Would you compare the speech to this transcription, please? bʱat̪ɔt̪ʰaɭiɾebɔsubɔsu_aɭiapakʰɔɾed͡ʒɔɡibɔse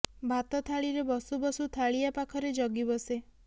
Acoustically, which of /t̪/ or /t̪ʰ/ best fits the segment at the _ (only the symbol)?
t̪ʰ